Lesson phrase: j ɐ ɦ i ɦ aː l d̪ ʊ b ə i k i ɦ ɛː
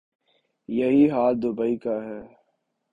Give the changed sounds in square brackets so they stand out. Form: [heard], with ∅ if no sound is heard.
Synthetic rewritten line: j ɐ ɦ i ɦ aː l d̪ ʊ b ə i k [a] ɦ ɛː